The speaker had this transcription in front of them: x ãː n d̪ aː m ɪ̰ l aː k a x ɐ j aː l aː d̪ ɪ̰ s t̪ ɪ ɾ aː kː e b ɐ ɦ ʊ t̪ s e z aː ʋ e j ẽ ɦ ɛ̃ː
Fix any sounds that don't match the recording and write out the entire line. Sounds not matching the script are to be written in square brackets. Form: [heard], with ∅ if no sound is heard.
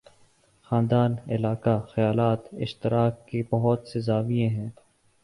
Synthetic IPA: x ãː n d̪ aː [n] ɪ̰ l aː k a x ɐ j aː l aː [t̪] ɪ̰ [ʃ] t̪ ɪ ɾ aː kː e b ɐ ɦ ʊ t̪ s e z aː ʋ [i] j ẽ ɦ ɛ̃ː